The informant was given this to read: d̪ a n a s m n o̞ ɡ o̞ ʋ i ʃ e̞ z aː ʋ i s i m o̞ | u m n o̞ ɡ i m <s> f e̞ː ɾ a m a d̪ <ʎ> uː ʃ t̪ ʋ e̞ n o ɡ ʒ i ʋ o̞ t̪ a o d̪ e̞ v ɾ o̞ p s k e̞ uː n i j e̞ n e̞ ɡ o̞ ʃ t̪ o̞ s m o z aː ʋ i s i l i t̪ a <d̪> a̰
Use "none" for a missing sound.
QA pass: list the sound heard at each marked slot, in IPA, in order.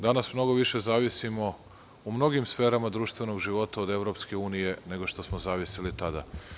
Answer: s, ɾ, d̪

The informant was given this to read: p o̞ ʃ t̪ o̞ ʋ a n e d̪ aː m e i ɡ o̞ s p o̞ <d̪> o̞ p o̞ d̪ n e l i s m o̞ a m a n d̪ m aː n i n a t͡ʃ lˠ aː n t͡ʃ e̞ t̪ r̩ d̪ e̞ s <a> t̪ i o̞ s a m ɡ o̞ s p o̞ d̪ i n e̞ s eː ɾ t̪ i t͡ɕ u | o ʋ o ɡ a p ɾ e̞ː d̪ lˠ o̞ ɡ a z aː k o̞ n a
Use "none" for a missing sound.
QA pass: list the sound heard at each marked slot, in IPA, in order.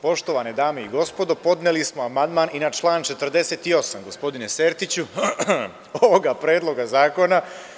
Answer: d̪, e

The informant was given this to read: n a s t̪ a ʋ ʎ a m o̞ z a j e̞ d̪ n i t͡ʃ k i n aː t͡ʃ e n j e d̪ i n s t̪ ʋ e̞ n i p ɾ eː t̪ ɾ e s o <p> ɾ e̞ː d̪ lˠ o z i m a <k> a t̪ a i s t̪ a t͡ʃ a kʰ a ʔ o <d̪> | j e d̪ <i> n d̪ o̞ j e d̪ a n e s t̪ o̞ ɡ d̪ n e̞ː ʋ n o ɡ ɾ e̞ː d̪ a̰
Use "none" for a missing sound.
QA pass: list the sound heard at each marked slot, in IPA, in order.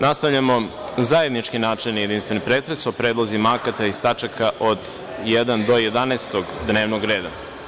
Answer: p, k, d̪, a

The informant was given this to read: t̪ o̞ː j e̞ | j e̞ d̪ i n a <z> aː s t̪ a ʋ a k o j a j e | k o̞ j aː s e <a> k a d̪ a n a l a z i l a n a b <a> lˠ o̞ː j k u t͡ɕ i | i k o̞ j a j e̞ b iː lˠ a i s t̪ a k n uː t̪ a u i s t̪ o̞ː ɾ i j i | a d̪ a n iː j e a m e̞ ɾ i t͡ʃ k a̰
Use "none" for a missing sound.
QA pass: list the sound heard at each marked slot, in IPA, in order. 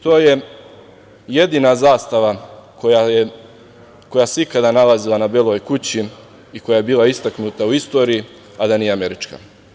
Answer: z, i, e

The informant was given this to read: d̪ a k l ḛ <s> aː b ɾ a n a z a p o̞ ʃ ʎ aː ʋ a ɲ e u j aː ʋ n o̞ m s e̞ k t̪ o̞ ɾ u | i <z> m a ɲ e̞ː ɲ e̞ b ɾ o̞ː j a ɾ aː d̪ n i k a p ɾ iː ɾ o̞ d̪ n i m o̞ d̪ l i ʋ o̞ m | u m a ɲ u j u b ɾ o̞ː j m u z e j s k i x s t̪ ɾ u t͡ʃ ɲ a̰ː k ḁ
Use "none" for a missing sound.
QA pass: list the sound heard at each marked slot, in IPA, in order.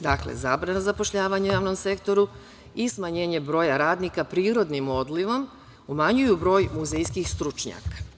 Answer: z, s

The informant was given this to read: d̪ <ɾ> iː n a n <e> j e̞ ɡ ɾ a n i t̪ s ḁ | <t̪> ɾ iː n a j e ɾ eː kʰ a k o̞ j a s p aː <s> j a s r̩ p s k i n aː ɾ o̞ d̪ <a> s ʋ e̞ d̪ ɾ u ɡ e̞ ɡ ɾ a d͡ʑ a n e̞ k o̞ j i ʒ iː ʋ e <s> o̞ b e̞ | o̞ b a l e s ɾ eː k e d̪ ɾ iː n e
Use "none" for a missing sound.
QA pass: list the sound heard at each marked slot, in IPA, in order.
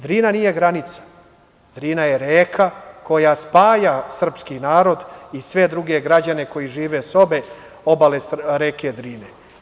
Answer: ɾ, i, d̪, none, i, s

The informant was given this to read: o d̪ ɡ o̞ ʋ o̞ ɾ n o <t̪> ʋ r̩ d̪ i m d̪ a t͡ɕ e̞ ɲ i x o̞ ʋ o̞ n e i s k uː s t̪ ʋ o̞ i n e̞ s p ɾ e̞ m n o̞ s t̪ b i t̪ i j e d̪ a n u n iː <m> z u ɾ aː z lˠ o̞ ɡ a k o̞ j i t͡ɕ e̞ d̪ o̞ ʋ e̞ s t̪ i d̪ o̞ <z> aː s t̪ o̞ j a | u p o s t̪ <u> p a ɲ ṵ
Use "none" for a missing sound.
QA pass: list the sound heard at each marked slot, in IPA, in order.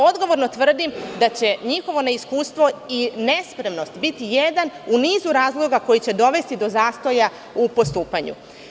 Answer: t̪, none, z, uː

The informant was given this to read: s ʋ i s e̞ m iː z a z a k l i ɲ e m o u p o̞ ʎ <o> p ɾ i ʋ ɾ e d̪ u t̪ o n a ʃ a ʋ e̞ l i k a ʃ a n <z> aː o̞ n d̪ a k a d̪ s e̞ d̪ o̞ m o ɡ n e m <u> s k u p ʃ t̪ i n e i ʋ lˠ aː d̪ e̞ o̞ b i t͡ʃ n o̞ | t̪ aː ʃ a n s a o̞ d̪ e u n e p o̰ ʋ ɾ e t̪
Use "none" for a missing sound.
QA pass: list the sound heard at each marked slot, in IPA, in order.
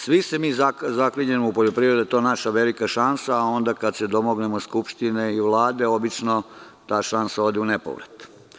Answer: o, s, o

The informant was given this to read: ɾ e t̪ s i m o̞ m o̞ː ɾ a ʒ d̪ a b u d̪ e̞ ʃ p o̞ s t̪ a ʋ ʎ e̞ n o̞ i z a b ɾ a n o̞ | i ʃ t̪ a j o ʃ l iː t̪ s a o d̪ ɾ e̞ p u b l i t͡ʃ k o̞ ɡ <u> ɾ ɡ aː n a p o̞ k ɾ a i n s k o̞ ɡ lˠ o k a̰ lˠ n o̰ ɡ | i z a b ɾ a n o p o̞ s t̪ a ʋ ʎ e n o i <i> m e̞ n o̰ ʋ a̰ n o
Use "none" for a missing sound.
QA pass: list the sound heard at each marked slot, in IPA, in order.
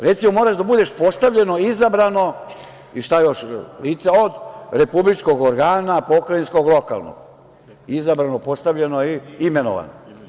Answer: o, i

